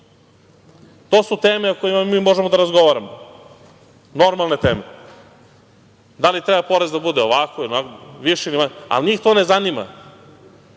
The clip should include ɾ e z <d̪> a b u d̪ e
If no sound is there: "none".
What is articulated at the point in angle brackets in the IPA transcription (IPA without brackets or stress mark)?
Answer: d̪